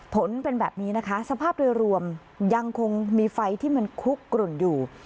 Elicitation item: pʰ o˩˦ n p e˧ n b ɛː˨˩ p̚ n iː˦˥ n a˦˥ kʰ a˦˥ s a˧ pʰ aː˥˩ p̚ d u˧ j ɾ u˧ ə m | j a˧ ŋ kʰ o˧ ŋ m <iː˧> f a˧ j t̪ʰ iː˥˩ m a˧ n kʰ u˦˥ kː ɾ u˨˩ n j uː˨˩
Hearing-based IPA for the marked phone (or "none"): iː˧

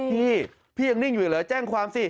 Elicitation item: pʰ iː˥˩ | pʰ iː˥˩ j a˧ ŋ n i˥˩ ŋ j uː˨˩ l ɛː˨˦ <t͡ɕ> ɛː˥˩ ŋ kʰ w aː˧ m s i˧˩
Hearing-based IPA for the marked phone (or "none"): t͡ɕ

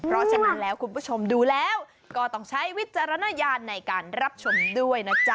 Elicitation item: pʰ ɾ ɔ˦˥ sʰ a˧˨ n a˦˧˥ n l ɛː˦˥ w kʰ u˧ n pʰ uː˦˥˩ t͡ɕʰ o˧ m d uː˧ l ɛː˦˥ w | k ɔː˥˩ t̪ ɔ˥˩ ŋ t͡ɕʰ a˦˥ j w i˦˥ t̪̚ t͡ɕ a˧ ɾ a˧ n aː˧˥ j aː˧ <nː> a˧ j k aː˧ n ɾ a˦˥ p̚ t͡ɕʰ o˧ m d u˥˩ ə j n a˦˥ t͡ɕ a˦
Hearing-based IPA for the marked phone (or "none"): nː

